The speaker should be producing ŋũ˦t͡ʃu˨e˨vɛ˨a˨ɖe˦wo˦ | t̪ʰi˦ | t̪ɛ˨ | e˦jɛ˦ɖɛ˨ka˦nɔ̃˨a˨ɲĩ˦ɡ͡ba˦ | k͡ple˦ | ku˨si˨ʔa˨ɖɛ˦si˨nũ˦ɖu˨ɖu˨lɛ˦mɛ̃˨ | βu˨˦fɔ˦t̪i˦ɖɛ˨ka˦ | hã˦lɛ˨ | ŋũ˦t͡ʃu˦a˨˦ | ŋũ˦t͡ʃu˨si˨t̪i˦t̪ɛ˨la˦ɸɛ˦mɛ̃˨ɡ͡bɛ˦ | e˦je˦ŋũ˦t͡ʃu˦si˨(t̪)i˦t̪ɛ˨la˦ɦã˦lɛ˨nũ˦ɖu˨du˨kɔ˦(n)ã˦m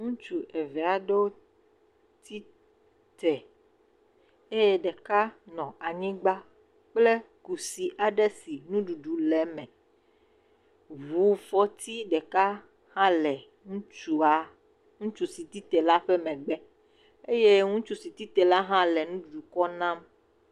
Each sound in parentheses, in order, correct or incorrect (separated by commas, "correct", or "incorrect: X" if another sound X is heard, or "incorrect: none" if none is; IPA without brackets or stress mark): correct, correct